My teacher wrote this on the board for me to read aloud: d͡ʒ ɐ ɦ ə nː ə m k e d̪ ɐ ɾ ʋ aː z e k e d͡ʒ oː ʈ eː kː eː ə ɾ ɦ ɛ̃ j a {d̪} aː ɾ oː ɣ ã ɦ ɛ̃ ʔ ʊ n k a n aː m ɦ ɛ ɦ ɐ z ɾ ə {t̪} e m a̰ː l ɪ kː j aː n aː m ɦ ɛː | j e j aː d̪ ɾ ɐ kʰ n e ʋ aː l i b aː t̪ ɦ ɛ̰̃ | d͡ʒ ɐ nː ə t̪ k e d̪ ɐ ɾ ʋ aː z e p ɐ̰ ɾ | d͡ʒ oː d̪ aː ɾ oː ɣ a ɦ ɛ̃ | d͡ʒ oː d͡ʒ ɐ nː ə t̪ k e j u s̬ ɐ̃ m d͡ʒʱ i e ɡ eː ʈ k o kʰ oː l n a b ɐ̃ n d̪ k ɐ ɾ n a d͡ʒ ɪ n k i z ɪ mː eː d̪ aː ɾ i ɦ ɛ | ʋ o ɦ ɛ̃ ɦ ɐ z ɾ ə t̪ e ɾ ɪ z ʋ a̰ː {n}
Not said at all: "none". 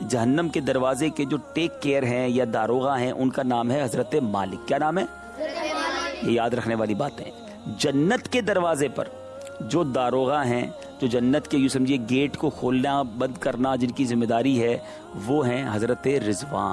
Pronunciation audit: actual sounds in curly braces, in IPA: d̪, t̪, n

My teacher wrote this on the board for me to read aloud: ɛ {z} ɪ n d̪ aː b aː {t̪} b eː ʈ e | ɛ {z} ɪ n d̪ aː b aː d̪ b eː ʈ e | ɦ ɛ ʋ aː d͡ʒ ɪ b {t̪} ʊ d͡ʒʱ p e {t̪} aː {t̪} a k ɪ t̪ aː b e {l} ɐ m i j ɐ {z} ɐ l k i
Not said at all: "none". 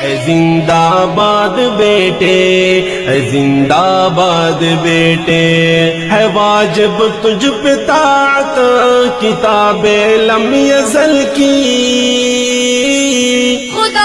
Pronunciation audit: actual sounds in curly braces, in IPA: z, d̪, z, t̪, t̪, t̪, l, z

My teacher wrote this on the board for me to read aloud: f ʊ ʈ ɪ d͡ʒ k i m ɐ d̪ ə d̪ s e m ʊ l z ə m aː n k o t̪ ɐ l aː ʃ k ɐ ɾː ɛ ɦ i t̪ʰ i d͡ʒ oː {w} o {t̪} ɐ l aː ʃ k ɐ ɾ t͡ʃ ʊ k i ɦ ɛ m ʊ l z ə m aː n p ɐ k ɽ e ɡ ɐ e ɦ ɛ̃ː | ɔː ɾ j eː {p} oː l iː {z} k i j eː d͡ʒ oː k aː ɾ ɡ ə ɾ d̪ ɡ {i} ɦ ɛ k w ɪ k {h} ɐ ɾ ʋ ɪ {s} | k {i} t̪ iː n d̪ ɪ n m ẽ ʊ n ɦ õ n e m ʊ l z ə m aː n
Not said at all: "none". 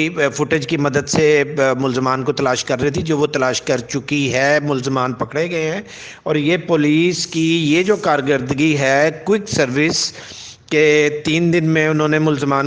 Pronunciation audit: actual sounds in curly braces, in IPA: ʋ, t̪, p, s, i, s, s, e

